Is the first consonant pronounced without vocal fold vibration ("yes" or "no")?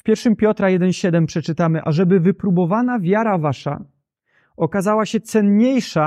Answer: yes